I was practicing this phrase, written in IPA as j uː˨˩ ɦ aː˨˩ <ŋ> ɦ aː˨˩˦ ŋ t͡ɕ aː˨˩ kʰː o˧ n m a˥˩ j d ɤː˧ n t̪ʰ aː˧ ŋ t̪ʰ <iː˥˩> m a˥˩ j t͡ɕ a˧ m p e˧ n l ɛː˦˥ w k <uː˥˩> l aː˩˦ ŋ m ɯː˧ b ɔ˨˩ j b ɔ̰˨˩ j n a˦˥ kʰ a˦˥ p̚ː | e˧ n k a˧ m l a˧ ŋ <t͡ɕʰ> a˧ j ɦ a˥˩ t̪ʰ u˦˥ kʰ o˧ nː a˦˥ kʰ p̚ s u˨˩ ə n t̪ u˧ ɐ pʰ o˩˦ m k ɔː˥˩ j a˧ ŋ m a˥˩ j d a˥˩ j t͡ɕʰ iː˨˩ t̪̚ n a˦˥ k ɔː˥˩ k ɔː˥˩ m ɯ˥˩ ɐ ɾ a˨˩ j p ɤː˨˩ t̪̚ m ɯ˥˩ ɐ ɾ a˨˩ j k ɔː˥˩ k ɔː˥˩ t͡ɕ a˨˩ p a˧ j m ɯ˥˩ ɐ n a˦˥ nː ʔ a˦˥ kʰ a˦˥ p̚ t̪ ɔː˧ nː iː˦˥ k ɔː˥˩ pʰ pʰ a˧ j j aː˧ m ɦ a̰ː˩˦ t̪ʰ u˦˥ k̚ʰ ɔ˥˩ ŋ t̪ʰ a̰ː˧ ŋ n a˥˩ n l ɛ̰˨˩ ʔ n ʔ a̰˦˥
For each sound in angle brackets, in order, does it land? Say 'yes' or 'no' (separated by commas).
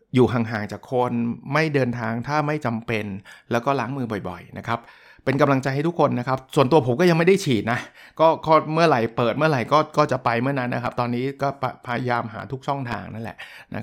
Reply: yes, no, no, no